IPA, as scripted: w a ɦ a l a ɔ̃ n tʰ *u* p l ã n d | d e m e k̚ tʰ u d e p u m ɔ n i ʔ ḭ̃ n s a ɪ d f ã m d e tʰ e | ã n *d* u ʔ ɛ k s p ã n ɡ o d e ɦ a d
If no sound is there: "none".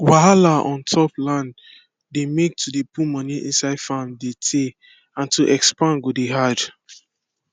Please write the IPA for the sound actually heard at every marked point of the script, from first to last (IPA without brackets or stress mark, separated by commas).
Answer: ɔ, t